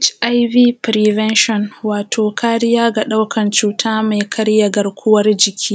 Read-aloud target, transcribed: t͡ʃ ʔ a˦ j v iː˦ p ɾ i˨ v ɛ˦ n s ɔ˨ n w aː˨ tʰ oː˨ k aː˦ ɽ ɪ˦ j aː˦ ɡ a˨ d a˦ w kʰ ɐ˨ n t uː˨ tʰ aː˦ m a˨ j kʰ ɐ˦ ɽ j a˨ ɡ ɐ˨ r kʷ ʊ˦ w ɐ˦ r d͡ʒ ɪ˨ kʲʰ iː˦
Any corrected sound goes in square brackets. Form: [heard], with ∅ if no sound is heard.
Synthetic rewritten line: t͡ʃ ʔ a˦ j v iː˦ p ɾ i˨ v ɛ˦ n [ʃ] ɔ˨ n w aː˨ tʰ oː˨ k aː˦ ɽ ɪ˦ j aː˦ ɡ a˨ [ɗ] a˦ w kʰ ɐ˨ n [t͡ʃ] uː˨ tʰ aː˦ m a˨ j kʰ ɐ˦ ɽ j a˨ ɡ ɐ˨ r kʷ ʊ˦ w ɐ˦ r d͡ʒ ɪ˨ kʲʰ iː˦